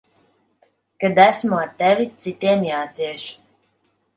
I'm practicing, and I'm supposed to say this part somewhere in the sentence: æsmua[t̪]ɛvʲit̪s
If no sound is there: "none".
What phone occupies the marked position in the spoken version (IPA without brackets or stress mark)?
t̪